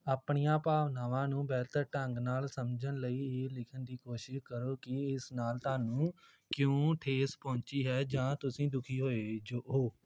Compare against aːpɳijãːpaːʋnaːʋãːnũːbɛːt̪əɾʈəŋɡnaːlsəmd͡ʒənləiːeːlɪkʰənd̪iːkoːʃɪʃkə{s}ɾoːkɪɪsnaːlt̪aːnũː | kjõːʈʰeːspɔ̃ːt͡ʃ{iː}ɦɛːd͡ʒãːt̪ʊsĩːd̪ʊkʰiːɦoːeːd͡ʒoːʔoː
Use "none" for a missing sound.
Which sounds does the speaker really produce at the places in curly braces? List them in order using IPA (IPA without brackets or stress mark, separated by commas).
none, iː